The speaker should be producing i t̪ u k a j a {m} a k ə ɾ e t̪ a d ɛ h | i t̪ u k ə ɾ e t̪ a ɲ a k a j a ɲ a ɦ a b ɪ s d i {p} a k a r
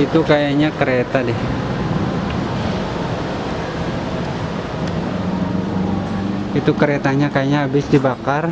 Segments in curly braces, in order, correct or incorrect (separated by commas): incorrect, incorrect